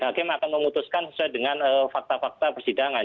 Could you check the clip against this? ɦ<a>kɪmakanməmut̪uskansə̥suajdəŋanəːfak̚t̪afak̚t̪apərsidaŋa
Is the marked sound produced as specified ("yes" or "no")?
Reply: yes